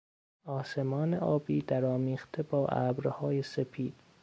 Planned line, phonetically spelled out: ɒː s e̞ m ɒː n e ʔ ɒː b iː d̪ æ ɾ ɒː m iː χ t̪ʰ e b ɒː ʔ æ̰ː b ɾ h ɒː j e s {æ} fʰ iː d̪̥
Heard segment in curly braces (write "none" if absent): e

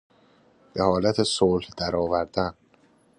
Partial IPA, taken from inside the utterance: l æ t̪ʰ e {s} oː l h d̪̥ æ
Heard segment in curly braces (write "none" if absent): s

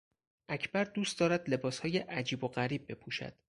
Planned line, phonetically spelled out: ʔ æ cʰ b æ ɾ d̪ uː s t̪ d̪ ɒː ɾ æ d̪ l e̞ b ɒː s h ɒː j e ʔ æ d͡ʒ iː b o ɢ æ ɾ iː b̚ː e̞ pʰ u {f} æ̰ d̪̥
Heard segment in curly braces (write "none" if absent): ʃ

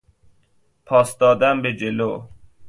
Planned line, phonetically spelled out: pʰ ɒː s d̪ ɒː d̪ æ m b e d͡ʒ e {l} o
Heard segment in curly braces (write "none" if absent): l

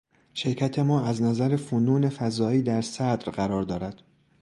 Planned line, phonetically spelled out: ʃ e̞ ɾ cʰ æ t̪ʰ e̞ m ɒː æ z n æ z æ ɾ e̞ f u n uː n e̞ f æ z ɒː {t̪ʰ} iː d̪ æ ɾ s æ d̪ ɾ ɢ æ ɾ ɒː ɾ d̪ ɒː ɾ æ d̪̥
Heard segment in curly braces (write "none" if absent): none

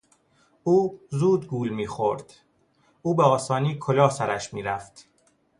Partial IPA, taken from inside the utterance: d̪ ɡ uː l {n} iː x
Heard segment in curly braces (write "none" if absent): m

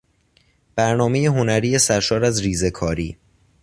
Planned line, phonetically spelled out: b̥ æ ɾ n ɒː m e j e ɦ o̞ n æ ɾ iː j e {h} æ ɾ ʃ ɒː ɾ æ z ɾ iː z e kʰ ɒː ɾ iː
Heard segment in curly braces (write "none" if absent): s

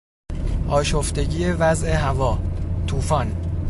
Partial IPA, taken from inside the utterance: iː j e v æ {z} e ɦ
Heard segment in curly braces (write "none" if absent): z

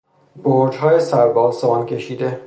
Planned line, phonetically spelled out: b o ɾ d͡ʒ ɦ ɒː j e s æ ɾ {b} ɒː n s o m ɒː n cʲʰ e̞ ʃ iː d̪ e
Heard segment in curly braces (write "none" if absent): b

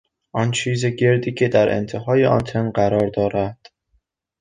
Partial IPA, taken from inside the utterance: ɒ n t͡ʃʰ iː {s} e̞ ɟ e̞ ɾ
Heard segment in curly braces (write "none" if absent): z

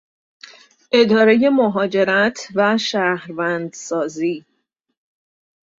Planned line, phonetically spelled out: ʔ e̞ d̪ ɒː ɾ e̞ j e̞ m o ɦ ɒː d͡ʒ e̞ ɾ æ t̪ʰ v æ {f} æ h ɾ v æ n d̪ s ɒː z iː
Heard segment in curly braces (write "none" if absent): ʃ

